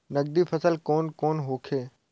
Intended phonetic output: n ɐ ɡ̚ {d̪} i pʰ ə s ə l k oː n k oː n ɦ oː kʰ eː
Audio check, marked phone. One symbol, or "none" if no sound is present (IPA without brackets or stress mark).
d̪